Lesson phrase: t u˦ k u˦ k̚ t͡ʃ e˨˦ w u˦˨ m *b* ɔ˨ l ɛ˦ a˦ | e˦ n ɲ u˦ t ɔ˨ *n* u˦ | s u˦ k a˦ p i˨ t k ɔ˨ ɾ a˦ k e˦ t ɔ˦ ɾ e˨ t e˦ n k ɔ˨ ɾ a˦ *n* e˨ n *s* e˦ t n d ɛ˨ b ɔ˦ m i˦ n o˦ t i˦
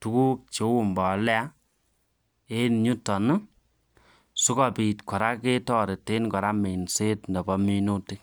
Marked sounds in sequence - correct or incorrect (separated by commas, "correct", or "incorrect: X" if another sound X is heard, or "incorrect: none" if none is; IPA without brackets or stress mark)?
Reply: correct, correct, incorrect: m, correct